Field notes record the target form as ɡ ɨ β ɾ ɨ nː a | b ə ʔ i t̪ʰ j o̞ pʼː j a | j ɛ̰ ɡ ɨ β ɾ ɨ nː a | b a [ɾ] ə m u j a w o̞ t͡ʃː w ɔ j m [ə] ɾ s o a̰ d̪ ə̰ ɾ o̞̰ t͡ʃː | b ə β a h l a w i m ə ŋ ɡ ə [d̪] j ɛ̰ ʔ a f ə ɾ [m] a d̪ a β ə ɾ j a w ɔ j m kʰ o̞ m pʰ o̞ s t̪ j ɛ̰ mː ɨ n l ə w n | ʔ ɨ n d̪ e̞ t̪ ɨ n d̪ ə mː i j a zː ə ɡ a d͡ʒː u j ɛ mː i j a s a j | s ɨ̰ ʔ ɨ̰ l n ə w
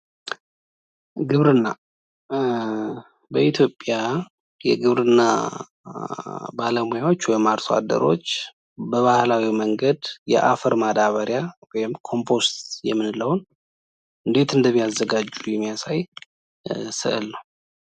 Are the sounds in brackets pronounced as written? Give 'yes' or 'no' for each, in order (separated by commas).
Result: no, no, yes, yes